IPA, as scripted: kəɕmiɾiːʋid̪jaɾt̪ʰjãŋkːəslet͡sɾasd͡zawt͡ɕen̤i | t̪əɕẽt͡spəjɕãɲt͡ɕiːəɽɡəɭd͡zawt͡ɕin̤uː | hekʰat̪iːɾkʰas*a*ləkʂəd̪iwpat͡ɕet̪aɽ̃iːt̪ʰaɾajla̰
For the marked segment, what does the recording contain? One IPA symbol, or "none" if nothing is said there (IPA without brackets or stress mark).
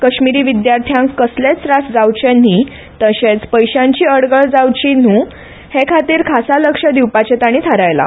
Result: a